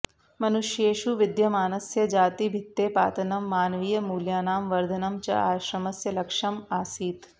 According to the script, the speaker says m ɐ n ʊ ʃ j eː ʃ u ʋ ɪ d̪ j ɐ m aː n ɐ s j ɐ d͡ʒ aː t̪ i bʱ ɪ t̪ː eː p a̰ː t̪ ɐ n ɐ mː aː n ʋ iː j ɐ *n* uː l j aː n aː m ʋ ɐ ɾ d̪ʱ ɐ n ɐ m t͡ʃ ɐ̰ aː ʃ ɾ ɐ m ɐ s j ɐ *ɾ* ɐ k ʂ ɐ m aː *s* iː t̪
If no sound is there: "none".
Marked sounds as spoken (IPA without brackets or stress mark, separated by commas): m, l, s